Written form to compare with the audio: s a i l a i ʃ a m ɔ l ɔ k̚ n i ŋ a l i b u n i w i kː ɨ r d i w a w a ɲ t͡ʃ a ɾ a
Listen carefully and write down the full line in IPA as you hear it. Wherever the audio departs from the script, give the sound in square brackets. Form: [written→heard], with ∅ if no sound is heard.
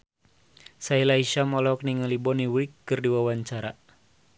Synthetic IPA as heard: s a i l a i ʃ a m ɔ l ɔ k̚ n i ŋ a l i b [u→ɔ] n i w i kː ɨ r d i w a w a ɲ t͡ʃ a ɾ a

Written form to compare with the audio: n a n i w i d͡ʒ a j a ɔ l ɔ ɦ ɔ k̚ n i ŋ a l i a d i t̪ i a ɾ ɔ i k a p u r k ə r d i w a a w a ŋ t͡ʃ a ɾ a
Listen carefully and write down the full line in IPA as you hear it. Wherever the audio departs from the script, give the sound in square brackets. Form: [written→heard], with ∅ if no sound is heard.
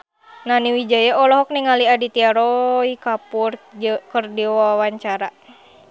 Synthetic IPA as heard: n a n i w i d͡ʒ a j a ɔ l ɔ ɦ ɔ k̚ n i ŋ a l i a d i t̪ i a ɾ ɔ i k a p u r k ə r d i w a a w a [ŋ→ɲ] t͡ʃ a ɾ a

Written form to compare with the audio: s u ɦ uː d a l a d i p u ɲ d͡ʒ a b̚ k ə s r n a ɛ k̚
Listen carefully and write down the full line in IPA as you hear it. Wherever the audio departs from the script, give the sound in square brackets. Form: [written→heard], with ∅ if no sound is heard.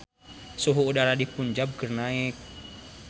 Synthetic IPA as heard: s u ɦ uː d a [l→ɾ] a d i p u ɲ d͡ʒ a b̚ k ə [s→∅] r n a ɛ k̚

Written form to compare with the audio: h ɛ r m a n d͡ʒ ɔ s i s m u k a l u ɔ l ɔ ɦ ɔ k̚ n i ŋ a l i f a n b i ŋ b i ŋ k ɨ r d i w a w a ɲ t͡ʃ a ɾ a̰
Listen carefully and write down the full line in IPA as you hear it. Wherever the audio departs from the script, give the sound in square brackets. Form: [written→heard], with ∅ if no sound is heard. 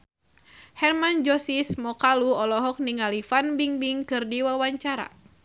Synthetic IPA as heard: h ɛ r m a n d͡ʒ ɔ s i s m [u→ɔ] k a l u ɔ l ɔ ɦ ɔ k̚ n i ŋ a l i f a n b i ŋ b i ŋ k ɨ r d i w a w a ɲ t͡ʃ a ɾ a̰

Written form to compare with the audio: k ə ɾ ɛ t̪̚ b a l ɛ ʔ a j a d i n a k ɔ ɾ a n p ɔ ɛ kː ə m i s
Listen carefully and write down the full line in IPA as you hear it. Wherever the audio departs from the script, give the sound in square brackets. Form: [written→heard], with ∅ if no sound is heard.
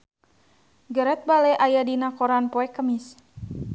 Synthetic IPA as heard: [k→ɡ] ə ɾ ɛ t̪̚ b a l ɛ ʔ a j a d i n a k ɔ ɾ a n p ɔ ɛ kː ə m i s

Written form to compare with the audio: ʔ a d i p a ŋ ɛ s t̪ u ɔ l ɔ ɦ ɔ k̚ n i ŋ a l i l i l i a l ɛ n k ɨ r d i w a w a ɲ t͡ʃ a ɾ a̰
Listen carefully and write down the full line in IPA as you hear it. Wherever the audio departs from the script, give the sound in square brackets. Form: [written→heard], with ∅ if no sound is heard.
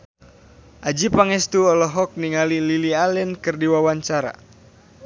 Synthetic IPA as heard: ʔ a [d→d͡ʒ] i p a ŋ ɛ s t̪ u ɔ l ɔ ɦ ɔ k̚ n i ŋ a l i l i l i a l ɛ n k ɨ r d i w a w a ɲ t͡ʃ a ɾ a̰

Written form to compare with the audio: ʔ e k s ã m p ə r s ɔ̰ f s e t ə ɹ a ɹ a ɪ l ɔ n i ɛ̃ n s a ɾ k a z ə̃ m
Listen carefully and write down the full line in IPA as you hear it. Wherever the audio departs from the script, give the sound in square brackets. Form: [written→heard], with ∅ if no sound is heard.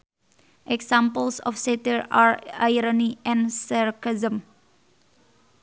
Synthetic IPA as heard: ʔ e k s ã m p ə [r→l] s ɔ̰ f s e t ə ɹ a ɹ a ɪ [l→ɾ] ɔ n i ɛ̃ n s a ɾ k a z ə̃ m

